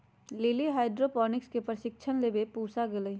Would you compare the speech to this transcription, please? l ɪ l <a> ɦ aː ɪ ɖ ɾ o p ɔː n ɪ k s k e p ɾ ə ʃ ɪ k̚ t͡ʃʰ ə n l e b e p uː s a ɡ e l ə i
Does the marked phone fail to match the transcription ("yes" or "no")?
yes